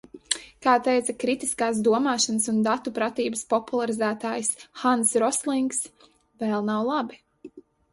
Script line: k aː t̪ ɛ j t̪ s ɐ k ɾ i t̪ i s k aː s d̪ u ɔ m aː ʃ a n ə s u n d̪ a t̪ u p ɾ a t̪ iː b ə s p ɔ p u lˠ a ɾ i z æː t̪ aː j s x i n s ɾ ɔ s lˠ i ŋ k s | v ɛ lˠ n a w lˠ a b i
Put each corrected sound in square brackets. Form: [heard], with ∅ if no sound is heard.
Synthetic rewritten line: k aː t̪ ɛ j t̪ s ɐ k ɾ i t̪ i s k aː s d̪ u ɔ m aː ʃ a n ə s u n d̪ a t̪ u p ɾ a t̪ iː b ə s p ɔ p u lˠ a ɾ i z æː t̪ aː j s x [a] n s ɾ ɔ s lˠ i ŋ k s | v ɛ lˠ n a w lˠ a b i